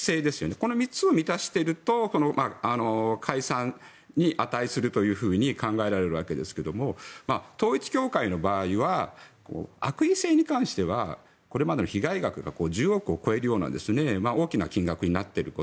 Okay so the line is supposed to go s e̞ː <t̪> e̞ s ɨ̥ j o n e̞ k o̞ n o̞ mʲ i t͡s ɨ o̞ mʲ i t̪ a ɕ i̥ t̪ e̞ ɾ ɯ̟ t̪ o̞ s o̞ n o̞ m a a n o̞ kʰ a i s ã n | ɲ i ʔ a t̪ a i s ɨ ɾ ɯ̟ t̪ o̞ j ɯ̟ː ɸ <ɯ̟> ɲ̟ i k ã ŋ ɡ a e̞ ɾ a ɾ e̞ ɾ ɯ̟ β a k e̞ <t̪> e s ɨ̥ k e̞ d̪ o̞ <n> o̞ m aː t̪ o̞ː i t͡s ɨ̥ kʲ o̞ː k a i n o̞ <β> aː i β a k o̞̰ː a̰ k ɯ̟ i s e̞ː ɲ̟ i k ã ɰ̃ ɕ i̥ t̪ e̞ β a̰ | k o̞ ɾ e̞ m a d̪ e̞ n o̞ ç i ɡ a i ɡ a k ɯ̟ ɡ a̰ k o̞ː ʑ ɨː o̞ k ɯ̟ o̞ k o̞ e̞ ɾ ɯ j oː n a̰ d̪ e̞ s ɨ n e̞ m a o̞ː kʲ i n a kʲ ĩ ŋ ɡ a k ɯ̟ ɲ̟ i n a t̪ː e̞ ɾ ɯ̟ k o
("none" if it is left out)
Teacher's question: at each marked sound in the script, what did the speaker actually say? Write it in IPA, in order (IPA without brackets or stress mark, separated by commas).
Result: d̪, ɯ̟ː, d̪, m, b